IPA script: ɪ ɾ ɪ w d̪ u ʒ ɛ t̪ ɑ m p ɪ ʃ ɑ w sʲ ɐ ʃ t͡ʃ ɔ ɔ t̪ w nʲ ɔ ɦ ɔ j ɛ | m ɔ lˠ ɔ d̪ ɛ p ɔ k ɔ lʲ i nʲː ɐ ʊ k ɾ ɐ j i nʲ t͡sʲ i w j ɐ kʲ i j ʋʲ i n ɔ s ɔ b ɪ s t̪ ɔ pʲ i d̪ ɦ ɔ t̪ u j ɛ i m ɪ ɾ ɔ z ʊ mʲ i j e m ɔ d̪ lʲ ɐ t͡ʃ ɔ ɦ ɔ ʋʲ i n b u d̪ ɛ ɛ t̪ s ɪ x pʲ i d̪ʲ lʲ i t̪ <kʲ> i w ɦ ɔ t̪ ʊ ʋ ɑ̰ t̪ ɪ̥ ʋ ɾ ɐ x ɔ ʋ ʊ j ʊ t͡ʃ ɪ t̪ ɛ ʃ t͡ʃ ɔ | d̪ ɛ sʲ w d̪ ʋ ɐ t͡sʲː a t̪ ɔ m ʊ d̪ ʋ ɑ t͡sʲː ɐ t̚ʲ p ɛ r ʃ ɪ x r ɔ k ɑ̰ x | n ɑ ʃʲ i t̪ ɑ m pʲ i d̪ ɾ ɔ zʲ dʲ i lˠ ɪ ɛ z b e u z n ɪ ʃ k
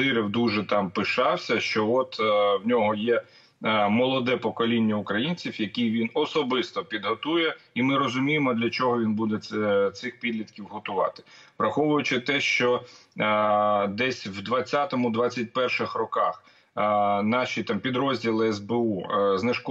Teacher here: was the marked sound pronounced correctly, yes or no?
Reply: yes